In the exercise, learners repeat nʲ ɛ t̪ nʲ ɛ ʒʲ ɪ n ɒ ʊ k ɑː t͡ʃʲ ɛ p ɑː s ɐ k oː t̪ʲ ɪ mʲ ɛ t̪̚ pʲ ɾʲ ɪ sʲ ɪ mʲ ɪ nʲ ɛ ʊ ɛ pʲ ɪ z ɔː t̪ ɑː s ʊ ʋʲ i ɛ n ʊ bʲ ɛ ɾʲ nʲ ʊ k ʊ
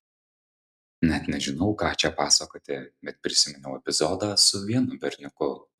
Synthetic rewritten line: nʲ ɛ t̪ nʲ ɛ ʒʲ ɪ n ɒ ʊ k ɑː t͡ʃʲ ɛ p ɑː s ɐ k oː t̪ʲ ɪ bʲ ɛ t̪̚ pʲ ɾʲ ɪ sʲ ɪ mʲ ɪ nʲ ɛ ʊ ɛ pʲ ɪ z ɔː d̪ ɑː s ʊ ʋʲ i ɛ n ʊ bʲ ɛ ɾʲ nʲ ʊ k ʊ